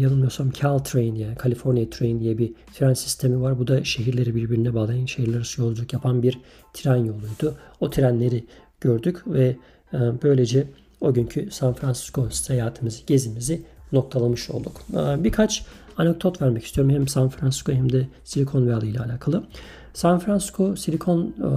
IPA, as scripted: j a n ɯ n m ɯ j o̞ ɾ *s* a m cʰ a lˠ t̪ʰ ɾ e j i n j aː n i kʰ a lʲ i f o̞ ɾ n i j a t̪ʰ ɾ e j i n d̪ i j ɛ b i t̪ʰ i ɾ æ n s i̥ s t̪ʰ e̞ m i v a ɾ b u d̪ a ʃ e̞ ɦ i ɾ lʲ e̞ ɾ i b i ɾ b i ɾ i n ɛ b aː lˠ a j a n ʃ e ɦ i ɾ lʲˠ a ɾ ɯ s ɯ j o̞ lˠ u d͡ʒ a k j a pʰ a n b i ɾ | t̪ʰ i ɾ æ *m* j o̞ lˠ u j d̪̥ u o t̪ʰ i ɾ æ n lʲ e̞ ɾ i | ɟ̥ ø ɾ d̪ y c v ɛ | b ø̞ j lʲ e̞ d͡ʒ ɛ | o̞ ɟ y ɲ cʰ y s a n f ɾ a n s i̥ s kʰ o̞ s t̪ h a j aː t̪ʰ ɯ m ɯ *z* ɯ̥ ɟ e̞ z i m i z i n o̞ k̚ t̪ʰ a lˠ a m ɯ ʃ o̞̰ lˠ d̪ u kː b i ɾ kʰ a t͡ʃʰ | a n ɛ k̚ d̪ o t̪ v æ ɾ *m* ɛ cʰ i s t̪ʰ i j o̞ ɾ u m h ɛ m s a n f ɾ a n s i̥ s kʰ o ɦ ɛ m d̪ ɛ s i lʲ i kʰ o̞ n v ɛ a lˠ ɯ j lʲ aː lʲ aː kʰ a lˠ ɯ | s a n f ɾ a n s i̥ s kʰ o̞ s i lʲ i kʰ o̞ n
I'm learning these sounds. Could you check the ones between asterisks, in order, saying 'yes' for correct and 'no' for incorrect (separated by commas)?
yes, no, yes, yes